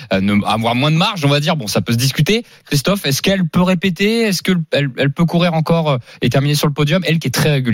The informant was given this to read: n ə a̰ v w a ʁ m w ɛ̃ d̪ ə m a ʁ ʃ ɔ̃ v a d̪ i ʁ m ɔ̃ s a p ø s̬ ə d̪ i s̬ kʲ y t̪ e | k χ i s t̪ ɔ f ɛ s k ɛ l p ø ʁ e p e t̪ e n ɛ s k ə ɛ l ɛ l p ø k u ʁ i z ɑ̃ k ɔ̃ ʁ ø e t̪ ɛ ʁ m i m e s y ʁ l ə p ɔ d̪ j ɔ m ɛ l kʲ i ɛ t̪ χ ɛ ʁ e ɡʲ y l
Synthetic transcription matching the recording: n ə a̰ v w a ʁ m w ɛ̃ d̪ ə m a ʁ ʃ ɔ̃ v a d̪ i ʁ b ɔ̃ s a p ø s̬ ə d̪ i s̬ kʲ y t̪ e | k χ i s t̪ ɔ f ɛ s k ɛ l p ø ʁ e p e t̪ e ɛ s k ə ɛ l ɛ l p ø k u ʁ i ʁ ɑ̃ k ɔ ʁ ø e t̪ ɛ ʁ m i n e s y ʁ l ə p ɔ d̪ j ɔ m ɛ l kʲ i ɛ t̪ χ ɛ ʁ e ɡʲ y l